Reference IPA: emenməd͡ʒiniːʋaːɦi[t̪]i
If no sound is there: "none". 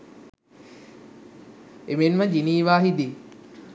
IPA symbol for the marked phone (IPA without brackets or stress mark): d̪